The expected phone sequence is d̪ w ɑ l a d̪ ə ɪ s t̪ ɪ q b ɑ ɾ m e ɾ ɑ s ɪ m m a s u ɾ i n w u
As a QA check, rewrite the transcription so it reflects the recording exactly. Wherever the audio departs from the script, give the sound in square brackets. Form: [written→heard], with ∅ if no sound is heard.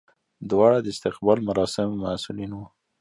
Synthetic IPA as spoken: d̪ w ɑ [l→ɽ] a d̪ ə ɪ s t̪ ɪ q b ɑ [ɾ→l] m [e→a] ɾ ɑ s ɪ m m a s u [ɾ→l] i n w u